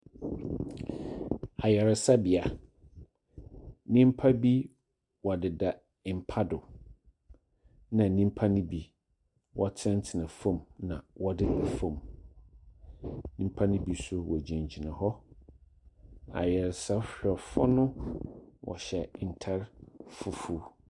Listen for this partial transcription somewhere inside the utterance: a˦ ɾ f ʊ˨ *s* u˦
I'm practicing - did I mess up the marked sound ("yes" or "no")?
yes